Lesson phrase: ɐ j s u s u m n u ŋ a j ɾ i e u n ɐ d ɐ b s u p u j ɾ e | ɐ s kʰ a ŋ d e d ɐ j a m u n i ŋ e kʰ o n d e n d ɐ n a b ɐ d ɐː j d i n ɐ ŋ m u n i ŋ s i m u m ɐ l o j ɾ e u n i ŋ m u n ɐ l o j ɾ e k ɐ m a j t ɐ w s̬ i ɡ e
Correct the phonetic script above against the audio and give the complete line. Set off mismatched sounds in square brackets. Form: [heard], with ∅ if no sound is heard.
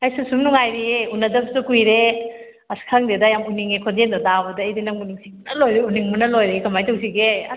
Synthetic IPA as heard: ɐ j s u s u m n u ŋ a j ɾ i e u n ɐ d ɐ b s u [k] u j ɾ e | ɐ s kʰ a ŋ d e d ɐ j a m u n i ŋ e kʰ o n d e n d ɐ [d] a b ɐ d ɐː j d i n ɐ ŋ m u n i ŋ s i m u [n] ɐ l o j ɾ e u n i ŋ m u n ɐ l o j ɾ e k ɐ m a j t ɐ w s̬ i ɡ e